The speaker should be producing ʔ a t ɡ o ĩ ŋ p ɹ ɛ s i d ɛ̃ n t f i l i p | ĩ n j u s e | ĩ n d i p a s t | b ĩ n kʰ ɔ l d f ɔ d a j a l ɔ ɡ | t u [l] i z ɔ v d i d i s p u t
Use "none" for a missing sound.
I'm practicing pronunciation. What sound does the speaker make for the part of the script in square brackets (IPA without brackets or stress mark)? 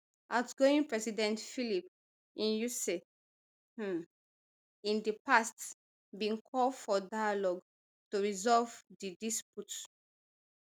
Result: ɹ